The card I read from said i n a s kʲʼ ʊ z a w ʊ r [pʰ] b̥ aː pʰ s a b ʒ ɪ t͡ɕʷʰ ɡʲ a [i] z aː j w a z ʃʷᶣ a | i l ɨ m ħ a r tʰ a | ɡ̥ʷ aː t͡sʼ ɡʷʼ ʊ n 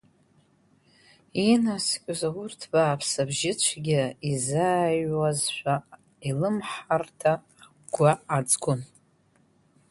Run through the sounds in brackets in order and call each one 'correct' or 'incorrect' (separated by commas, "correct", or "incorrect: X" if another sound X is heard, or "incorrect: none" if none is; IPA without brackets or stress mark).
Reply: incorrect: tʰ, correct